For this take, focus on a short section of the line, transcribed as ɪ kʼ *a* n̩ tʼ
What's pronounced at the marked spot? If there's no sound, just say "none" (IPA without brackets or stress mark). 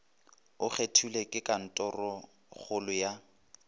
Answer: a